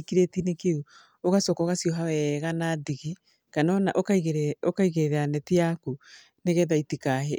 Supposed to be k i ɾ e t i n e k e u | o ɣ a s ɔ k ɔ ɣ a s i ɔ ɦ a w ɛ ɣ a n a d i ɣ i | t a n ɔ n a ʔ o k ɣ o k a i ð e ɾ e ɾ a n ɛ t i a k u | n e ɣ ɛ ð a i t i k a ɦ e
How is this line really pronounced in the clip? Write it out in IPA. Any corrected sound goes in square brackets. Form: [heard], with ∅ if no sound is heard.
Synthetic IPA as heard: k i ɾ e t i n e k e u | o ɣ a s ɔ k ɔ ɣ a s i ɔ ɦ a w ɛ ɣ a n a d i ɣ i | [k] a n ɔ n a ʔ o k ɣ o k a i [ɣ] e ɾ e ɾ a n ɛ t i a k u | n e ɣ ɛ ð a i t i k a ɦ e

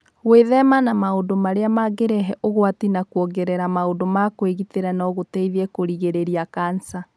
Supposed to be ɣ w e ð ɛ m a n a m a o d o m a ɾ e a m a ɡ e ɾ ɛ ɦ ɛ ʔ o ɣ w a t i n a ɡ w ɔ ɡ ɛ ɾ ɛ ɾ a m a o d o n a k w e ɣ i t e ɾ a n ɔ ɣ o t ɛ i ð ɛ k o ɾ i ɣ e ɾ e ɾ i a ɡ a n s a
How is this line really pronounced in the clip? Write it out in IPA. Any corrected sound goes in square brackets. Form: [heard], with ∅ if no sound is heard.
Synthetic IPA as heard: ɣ w e ð ɛ m a n a m a o d o m a ɾ e a m a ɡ e ɾ ɛ ɦ ɛ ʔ o ɣ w a t i n a [k] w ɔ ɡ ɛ ɾ ɛ ɾ a m a o d o [m] a k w e ɣ i t e ɾ a n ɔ ɣ o t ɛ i ð ɛ k o ɾ i ɣ e ɾ e ɾ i a [k] a n s a

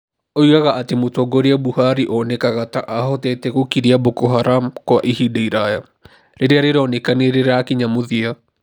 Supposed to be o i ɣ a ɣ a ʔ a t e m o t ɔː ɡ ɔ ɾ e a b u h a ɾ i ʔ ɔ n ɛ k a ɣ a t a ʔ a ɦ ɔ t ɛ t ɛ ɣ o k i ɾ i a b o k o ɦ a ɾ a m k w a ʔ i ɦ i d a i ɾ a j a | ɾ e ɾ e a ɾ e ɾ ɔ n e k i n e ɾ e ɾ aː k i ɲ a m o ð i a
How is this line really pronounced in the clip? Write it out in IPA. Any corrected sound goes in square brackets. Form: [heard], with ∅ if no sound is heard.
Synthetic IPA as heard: o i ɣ a ɣ a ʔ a t e m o t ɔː ɡ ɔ ɾ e a b u h a ɾ i ʔ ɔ n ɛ k a ɣ a t a ʔ a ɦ ɔ t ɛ t ɛ ɣ o k i ɾ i a b o k o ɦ a ɾ a m k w a ʔ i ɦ i d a i ɾ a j a | ɾ e ɾ e a ɾ e ɾ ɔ n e k [a] n e ɾ e ɾ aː k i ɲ a m o ð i a

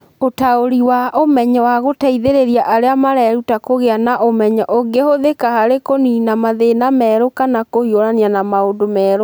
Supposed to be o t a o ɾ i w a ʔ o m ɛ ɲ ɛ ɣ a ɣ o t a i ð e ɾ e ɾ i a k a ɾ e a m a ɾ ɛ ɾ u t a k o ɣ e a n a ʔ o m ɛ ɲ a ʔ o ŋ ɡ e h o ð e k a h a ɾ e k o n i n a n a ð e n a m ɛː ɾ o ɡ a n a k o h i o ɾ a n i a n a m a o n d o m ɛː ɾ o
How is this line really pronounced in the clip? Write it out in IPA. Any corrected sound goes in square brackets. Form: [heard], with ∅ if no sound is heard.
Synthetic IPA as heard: o t a o ɾ i w a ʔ o m ɛ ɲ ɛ [w] a ɣ o t a i ð e ɾ e ɾ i a [ʔ] a ɾ e a m a ɾ ɛ ɾ u t a k o ɣ e a n a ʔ o m ɛ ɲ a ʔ o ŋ ɡ e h o ð e k a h a ɾ e k o n i n a [m] a ð e n a m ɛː ɾ o [k] a n a k o h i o ɾ a n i a n a m a o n d o m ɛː ɾ o

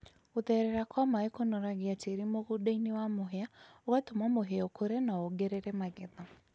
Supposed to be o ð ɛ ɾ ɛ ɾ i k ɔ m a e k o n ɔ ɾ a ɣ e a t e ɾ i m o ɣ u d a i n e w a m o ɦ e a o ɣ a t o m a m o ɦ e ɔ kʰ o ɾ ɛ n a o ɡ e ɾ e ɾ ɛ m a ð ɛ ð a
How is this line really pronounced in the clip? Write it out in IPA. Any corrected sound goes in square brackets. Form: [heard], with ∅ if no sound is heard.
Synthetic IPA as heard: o ð ɛ ɾ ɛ ɾ [a] k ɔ m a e k o n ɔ ɾ a ɣ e a t e ɾ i m o ɣ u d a i n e w a m o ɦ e a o ɣ a t o m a m o ɦ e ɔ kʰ o ɾ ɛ n a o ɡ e ɾ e ɾ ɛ m a [ɣ] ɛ ð a

